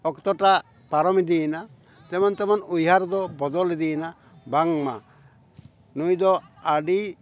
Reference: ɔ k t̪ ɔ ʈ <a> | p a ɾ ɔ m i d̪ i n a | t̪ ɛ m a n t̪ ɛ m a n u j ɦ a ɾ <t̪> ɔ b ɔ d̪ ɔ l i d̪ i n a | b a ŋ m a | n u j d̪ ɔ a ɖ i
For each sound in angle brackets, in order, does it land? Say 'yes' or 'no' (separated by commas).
yes, no